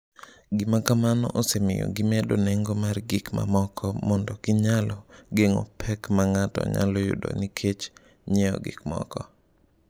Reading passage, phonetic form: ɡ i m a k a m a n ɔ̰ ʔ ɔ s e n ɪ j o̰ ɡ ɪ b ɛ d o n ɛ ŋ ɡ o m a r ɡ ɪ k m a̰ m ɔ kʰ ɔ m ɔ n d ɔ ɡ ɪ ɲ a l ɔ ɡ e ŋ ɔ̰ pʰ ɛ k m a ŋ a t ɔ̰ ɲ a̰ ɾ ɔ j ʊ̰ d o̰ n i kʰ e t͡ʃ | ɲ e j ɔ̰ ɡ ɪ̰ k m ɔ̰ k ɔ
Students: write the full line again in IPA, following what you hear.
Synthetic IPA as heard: ɡ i m a k a m a n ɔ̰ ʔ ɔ s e m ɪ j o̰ ɡ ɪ m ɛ d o n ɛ ŋ ɡ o m a r ɡ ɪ k m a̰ m ɔ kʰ ɔ m ɔ n d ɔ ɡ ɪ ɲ a l ɔ ɡ e ŋ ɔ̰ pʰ ɛ k m a ŋ a t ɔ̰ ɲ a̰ l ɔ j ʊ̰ d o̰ n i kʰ e t͡ʃ | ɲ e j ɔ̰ ɡ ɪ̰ k m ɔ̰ k ɔ